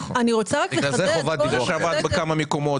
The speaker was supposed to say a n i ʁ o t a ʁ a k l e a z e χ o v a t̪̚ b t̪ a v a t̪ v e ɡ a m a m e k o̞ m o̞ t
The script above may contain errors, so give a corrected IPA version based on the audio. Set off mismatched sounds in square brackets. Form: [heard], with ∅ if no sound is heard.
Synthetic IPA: a n i ʁ o [t͡s] a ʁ a k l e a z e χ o v a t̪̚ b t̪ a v a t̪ [b] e [k] a m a m e k o̞ m o̞ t